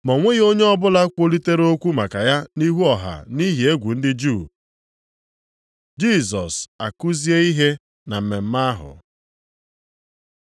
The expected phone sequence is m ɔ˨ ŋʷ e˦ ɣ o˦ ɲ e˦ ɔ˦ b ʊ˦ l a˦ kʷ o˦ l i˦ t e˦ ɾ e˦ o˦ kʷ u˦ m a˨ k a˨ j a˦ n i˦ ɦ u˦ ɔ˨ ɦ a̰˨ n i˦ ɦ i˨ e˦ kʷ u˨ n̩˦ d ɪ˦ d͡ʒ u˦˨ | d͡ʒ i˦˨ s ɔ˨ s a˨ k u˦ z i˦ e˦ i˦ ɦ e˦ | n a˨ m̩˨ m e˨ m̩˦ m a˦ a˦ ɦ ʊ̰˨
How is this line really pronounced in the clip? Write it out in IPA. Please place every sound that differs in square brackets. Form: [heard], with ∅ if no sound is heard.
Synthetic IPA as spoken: m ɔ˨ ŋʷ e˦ ɣ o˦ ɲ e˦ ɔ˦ b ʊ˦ l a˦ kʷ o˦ l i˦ t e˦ ɾ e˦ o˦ kʷ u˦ m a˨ k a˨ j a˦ n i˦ ɦ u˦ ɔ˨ ɦ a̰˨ n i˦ ɦ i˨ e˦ [ɡʷ] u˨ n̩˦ d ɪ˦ d͡ʒ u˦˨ | d͡ʒ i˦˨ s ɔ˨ s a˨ k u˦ z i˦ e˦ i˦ ɦ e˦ | n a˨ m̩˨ m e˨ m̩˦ m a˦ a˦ ɦ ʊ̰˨